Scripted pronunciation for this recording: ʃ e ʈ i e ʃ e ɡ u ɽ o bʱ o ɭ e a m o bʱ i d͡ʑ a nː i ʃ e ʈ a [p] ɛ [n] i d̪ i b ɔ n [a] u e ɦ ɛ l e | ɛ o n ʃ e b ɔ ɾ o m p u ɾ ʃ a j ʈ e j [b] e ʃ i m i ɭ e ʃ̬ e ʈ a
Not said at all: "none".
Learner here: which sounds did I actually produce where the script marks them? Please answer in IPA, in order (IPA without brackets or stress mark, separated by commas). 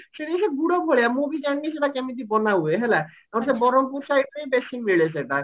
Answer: k, m, a, b